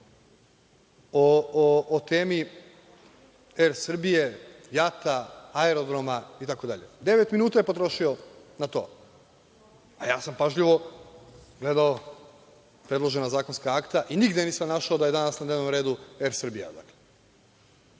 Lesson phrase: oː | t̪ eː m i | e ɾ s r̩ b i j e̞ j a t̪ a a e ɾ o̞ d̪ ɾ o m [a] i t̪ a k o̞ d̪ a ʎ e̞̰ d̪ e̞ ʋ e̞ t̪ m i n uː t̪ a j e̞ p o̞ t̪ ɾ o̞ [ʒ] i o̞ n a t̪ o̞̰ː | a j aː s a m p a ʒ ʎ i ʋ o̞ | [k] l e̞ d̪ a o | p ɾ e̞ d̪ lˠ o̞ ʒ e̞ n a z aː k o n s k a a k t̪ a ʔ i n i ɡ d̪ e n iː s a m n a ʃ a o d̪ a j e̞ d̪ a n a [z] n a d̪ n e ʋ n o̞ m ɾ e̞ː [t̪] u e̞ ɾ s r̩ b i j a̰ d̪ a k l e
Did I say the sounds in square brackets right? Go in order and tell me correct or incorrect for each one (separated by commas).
correct, incorrect, incorrect, incorrect, incorrect